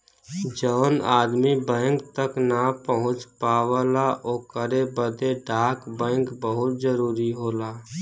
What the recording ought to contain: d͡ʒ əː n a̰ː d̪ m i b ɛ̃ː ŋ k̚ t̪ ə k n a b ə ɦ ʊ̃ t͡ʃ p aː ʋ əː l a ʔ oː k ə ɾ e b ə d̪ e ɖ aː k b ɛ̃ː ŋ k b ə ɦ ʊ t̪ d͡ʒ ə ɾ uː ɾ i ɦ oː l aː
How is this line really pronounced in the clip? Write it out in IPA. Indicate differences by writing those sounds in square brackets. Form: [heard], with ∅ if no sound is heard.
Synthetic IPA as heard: d͡ʒ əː n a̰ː d̪ m i b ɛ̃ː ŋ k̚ t̪ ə k n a [p] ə ɦ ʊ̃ t͡ʃ p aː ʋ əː l a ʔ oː k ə ɾ e b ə d̪ e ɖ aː k b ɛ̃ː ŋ k b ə ɦ ʊ t̪ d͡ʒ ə ɾ uː ɾ i ɦ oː l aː